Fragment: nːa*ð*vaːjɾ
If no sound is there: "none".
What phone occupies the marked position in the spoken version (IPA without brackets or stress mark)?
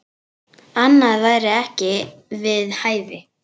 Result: ð